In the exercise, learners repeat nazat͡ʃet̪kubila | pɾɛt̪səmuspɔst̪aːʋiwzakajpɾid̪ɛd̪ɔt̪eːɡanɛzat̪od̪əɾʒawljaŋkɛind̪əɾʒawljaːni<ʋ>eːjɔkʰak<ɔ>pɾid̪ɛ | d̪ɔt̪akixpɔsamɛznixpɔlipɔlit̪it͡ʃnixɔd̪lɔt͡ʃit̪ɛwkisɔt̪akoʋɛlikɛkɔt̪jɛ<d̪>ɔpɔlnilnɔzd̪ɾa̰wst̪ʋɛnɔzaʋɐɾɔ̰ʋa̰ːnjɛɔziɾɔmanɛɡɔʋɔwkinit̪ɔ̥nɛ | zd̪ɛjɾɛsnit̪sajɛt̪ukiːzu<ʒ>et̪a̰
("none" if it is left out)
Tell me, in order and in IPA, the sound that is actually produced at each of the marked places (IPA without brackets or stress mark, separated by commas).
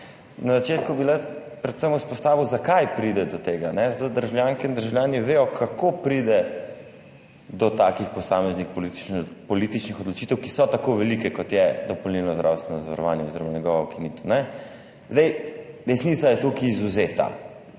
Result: ʋ, o, d̪, z